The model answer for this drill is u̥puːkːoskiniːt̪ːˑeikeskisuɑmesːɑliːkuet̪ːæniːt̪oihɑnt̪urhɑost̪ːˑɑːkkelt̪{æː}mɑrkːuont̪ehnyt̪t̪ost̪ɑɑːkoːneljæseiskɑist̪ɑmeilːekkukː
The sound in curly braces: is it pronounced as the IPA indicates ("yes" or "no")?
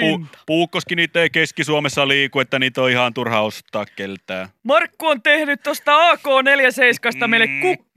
yes